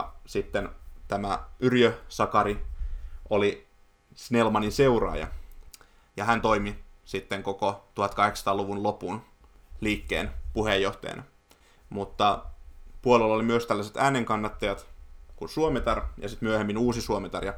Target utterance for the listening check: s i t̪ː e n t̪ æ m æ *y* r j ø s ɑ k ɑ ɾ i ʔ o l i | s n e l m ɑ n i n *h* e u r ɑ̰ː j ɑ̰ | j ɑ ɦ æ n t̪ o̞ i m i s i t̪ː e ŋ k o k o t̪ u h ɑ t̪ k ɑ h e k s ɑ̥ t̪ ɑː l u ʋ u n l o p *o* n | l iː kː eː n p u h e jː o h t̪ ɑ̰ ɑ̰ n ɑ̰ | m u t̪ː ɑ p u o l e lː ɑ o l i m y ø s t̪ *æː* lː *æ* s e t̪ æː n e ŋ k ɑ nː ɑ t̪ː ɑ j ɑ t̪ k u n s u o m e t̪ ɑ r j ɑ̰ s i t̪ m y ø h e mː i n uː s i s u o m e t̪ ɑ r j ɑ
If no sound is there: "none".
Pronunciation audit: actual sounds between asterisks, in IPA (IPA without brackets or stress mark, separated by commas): y, s, u, æ, æ